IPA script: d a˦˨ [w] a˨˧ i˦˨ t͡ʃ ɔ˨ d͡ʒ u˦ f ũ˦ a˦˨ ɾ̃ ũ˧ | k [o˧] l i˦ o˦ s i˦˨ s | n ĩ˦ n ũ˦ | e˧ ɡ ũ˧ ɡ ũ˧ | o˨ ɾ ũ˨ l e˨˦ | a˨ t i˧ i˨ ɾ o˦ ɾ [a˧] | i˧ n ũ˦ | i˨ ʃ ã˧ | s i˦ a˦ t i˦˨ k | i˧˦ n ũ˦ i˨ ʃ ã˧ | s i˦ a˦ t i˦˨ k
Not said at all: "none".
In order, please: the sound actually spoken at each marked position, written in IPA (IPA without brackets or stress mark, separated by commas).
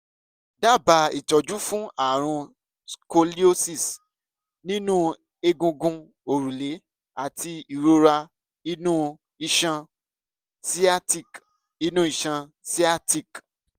b, o˧, a˧